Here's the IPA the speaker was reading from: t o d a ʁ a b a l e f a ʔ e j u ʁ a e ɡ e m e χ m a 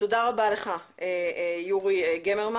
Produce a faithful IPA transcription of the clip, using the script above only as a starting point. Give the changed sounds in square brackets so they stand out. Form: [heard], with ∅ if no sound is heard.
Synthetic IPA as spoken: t o d a ʁ a b a l e [χ] a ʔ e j u ʁ [i] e ɡ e m e [ʁ] m a